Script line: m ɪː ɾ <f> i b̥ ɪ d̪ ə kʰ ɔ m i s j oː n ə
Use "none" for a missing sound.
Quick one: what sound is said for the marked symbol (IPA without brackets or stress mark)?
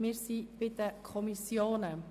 s